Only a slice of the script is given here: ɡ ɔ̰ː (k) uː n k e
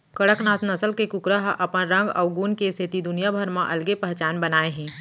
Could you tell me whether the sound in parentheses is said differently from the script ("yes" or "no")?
yes